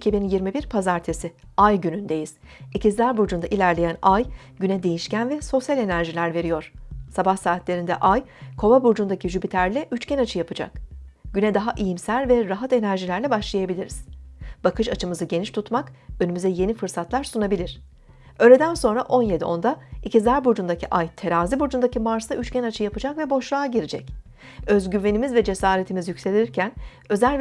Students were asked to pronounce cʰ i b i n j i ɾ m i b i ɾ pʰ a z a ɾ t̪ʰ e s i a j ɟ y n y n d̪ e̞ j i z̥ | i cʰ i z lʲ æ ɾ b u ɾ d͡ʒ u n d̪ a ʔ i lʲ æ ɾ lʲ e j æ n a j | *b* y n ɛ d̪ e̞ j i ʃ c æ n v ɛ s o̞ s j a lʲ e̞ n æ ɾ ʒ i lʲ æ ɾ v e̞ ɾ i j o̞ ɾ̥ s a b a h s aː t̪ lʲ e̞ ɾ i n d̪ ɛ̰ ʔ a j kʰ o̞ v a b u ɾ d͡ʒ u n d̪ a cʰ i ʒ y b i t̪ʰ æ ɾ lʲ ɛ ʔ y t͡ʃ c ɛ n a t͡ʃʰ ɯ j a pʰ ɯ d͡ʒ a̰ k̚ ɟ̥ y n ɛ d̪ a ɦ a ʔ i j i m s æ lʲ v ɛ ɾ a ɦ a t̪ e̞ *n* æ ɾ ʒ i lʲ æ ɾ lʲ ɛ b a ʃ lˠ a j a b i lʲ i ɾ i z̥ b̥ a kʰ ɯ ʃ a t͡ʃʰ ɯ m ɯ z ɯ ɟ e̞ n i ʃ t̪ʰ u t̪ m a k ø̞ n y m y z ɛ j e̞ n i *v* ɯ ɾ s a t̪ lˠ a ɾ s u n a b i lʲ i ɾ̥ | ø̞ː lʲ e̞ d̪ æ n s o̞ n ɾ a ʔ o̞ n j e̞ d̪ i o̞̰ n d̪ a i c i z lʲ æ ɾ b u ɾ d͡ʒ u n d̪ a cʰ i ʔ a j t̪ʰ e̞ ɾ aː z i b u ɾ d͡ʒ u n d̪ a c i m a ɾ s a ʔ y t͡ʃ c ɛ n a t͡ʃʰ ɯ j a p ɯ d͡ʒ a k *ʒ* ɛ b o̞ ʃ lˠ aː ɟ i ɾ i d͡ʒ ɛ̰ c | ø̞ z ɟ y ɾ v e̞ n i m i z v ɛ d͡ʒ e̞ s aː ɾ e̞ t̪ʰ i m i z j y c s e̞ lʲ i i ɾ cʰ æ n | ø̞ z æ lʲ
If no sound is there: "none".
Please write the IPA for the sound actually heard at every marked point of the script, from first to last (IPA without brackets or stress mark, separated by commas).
ɟ, n, f, v